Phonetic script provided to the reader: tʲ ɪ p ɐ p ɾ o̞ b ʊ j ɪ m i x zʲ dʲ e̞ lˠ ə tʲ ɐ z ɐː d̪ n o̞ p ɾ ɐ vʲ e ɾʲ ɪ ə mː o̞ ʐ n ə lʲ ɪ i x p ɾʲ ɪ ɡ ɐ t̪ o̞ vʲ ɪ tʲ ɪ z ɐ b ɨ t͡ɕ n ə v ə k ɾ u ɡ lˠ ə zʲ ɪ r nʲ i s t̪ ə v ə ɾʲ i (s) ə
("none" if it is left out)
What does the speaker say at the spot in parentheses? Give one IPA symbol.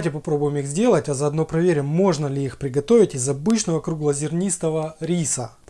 s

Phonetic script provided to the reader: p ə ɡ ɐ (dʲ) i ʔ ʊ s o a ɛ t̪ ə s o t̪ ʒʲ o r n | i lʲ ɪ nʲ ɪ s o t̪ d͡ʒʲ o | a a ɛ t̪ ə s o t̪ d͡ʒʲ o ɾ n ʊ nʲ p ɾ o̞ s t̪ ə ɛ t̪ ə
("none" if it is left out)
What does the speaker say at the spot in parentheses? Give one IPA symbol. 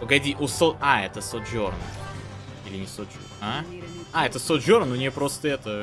dʲ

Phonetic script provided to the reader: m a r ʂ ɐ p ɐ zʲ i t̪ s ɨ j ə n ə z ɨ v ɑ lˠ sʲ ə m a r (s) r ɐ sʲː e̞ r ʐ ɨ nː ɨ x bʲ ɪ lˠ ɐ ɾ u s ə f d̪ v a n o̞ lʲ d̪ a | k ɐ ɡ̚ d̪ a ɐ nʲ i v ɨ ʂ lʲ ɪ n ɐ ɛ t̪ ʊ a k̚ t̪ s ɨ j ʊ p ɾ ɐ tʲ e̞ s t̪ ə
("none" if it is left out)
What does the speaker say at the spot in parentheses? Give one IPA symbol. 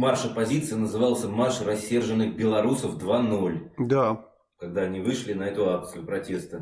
ʂ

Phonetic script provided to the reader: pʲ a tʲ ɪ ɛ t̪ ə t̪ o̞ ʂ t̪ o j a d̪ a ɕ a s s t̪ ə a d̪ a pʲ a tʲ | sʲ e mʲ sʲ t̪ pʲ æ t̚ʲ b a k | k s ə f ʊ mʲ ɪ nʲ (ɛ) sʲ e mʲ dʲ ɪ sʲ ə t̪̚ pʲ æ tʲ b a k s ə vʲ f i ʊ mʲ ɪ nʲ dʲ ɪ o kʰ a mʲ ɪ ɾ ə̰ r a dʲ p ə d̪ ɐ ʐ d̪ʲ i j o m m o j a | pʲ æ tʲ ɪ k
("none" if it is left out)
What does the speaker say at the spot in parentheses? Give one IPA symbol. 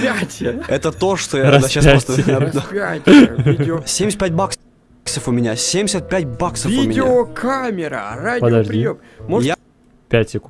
a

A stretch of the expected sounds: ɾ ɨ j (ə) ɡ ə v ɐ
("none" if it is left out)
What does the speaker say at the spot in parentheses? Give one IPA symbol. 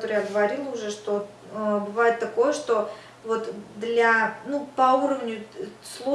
a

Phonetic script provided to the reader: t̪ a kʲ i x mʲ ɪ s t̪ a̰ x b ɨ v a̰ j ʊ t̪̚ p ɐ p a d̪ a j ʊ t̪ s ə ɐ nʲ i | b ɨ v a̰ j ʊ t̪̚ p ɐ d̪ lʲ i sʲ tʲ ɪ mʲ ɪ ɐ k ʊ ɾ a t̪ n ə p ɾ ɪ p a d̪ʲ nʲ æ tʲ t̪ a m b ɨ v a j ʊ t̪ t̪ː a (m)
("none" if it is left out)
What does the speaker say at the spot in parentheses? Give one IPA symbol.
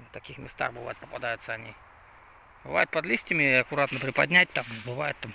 m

